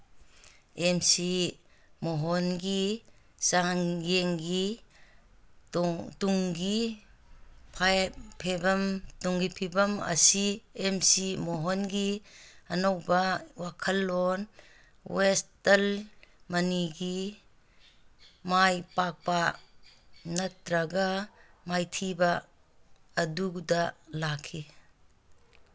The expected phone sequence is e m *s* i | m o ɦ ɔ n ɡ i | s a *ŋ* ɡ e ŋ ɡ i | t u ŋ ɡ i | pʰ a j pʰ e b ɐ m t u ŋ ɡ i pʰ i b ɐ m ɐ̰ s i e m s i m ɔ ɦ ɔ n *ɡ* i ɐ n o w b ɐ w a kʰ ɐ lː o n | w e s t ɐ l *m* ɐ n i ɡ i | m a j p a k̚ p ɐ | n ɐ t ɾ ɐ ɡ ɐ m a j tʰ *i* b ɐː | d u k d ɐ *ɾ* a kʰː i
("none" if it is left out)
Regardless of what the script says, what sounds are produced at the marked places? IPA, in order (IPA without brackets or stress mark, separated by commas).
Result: s, ŋ, ɡ, m, i, l